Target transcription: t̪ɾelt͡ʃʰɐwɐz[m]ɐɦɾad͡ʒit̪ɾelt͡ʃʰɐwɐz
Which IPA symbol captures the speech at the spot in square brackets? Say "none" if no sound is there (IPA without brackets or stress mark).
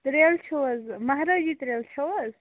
m